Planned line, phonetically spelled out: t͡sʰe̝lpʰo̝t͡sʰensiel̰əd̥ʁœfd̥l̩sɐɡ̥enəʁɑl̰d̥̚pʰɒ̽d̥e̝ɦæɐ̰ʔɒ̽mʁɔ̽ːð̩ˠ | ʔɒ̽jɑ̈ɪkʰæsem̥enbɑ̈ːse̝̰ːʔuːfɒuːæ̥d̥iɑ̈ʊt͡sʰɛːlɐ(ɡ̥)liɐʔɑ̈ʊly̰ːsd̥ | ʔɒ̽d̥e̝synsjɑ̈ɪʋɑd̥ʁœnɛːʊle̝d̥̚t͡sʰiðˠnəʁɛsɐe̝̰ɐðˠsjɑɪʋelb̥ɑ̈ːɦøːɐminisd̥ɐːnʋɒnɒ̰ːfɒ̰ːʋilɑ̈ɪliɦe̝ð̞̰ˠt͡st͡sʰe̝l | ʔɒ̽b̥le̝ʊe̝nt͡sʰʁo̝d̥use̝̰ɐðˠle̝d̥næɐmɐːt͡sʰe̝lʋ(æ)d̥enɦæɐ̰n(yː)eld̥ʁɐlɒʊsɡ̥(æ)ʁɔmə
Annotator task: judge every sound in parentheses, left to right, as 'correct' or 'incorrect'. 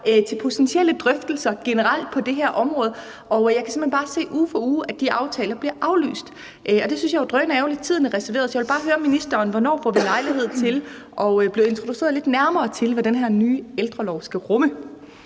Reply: incorrect: b̥, correct, correct, correct

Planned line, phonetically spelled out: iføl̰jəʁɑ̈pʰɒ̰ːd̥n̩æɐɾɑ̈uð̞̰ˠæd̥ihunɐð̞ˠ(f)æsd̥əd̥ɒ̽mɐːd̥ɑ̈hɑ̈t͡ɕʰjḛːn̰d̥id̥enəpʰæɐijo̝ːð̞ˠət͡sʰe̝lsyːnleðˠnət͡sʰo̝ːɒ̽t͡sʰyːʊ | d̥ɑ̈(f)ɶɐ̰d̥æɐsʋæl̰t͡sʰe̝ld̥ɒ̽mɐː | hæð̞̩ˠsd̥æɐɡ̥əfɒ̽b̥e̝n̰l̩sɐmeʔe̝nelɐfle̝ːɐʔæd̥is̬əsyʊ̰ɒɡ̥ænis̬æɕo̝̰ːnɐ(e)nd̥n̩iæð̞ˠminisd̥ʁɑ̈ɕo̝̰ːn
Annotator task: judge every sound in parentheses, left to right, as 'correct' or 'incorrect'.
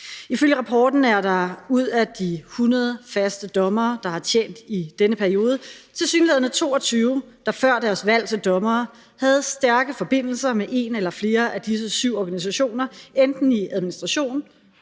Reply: correct, correct, correct

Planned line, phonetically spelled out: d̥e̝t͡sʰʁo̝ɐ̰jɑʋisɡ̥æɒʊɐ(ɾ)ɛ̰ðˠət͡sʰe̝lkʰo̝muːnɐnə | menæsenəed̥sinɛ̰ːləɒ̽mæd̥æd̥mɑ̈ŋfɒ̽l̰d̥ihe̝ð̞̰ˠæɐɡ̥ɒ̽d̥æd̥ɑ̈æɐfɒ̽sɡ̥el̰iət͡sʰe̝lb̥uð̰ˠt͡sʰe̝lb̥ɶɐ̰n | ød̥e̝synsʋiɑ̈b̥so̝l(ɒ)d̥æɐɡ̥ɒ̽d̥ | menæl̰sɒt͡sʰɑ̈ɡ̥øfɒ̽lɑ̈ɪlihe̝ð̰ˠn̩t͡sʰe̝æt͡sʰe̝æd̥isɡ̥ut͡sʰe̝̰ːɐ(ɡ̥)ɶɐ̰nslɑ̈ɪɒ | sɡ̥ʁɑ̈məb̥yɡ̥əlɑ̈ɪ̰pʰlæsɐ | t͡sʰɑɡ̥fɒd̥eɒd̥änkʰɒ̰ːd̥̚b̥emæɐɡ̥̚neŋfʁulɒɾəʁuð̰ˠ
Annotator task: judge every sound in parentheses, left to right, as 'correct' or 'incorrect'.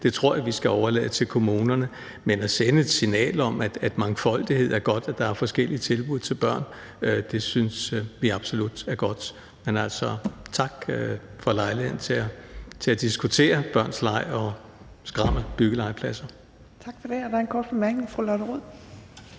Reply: incorrect: l, incorrect: u, incorrect: b̥

